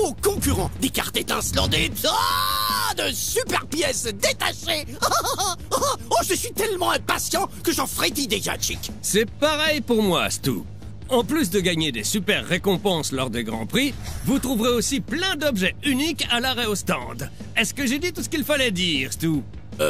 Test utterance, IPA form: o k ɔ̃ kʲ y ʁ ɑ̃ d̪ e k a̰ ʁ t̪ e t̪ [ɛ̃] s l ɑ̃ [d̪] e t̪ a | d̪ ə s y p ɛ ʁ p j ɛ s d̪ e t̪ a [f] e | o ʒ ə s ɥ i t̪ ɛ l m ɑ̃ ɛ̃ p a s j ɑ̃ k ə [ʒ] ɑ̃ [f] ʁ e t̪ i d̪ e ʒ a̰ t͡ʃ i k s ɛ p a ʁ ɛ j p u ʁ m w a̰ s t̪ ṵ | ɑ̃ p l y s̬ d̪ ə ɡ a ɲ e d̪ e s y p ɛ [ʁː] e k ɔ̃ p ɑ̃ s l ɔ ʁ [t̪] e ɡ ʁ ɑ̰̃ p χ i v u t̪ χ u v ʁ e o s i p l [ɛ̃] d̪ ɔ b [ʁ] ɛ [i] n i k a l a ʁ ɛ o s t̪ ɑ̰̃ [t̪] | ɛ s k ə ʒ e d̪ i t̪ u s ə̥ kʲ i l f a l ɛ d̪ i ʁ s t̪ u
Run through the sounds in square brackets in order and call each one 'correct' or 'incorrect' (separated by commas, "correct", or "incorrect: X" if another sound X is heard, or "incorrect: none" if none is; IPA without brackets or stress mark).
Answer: correct, correct, incorrect: ʃ, correct, correct, correct, incorrect: d̪, correct, incorrect: ʒ, incorrect: y, incorrect: d̪